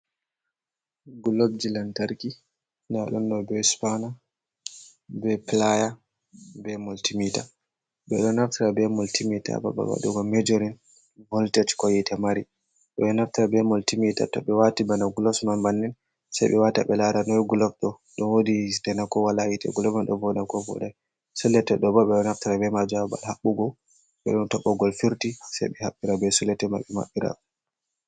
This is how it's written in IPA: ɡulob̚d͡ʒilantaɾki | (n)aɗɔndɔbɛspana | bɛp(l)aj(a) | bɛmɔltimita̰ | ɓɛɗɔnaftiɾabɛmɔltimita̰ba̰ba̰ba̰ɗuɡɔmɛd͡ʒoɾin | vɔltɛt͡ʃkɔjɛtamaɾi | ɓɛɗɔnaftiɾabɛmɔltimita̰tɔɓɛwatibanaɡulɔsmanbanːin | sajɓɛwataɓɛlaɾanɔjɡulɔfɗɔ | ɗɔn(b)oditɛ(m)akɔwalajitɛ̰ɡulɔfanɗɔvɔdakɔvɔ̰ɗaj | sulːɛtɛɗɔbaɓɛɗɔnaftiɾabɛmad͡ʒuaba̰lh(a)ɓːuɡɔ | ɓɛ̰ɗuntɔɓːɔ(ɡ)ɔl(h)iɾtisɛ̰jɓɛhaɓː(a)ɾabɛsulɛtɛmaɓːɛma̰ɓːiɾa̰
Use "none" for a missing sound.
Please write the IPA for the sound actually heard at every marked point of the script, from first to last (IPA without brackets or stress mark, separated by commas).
n, l, a, w, n, a, ɡ, f, i